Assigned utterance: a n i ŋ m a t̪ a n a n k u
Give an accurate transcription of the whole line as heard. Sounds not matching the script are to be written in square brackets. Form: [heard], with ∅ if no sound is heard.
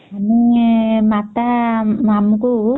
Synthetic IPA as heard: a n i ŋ m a t̪ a [m] a [m] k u

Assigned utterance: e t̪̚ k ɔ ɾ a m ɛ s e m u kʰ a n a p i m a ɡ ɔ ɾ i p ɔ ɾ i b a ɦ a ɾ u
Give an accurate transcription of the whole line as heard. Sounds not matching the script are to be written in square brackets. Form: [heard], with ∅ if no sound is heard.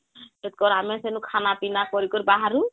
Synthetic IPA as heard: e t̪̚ k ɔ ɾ a m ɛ s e [n] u kʰ a n a p i [n] a [k] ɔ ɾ i [k] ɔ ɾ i b a ɦ a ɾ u

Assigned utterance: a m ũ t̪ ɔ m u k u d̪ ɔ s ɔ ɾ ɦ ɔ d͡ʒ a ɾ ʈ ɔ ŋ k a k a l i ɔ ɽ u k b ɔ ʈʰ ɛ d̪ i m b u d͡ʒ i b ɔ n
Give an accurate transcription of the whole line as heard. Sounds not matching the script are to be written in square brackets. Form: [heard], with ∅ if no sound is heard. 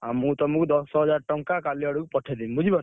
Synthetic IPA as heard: a m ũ t̪ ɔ m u k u d̪ ɔ s ɔ [∅] ɦ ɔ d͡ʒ a ɾ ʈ ɔ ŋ k a k a l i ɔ ɽ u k [p] ɔ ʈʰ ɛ d̪ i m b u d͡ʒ i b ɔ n

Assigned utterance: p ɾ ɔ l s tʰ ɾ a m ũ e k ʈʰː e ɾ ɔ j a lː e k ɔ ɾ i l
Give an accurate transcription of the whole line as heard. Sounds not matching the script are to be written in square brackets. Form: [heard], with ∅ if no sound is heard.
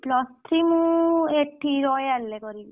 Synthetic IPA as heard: p [l] ɔ [∅] s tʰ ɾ [i] m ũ e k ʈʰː [i] ɾ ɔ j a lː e k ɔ ɾ i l

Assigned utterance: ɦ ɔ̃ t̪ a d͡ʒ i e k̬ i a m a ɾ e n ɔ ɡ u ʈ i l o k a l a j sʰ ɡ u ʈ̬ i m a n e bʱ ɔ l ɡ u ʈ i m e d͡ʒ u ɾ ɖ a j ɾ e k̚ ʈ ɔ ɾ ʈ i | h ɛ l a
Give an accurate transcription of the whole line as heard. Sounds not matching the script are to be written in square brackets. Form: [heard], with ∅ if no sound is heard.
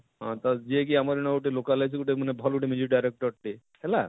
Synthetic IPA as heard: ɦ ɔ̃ t̪ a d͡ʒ i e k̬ i a m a ɾ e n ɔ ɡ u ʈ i l o k a l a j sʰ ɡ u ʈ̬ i m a n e bʱ ɔ l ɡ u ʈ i m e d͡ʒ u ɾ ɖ a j ɾ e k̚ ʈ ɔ ɾ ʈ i | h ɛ l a

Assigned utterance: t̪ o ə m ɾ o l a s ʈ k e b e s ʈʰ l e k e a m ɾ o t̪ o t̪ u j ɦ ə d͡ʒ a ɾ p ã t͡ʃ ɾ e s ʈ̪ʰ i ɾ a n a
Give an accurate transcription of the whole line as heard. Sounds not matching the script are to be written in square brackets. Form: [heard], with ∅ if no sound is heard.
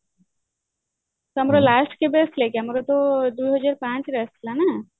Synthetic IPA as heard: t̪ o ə m ɾ o l a s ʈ k e b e s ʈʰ l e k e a m ɾ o t̪ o [d̪] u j ɦ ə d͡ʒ a ɾ p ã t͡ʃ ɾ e s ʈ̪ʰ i [l] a n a

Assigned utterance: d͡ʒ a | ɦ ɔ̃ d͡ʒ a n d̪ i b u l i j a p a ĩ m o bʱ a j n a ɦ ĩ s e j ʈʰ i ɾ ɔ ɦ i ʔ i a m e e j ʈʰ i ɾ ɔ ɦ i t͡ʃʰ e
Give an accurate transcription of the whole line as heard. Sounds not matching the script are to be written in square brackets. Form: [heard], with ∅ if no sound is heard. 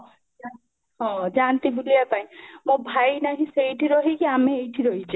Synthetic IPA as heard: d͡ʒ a | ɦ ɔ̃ d͡ʒ a n [t̪] i b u l i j a p a ĩ m o bʱ a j n a ɦ ĩ s e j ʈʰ i ɾ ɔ ɦ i [k] i a m e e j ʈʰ i ɾ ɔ ɦ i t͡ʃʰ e

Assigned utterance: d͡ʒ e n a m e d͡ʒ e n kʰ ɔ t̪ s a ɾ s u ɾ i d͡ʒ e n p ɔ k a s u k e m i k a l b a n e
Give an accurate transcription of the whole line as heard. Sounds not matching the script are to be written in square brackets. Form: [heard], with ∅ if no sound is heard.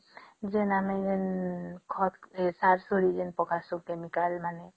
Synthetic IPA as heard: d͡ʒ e n a m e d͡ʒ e n kʰ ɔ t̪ s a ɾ s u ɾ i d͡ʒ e n p ɔ k a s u k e m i k a l [m] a n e

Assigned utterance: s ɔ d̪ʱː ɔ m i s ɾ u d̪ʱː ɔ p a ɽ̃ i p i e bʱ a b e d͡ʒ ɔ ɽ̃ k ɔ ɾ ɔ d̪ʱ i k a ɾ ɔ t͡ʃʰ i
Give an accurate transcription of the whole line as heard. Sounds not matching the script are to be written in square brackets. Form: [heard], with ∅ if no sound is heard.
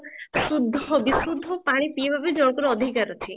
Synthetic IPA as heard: s [u] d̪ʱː ɔ [b] i s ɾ u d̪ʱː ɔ p a ɽ̃ i p i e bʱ a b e d͡ʒ ɔ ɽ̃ k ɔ ɾ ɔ d̪ʱ i k a ɾ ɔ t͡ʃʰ i

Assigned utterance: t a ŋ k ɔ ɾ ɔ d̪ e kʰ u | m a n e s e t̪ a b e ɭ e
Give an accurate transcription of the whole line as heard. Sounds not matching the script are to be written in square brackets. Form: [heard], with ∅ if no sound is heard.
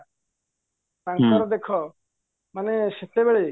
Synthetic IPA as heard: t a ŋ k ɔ ɾ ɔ d̪ e kʰ [ɔ] | m a n e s e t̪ [e] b e ɭ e

